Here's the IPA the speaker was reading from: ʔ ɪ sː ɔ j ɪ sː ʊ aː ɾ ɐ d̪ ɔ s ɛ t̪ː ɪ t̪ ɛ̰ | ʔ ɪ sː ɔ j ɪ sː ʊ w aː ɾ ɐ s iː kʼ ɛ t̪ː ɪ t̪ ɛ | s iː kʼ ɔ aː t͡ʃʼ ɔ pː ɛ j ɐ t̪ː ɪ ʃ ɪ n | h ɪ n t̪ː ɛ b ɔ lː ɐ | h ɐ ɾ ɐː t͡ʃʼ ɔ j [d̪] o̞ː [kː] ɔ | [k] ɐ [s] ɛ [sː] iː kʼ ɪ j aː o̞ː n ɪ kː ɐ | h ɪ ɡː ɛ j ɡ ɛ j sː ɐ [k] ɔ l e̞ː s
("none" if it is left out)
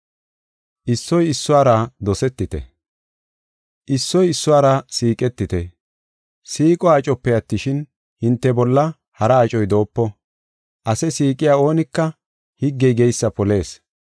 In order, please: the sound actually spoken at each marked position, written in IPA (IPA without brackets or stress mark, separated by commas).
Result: d̪, pː, ʔ, s, s, p